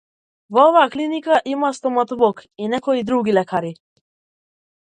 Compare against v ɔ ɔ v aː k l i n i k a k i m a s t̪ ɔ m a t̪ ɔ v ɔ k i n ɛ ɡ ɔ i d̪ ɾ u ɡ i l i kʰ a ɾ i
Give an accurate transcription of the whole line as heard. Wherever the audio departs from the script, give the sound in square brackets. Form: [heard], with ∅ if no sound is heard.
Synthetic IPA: v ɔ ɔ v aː k l i n i k a [ʔ] i m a s t̪ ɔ m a t̪ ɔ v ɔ k i n ɛ [k] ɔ i d̪ ɾ u ɡ i l [ɛ] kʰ a ɾ i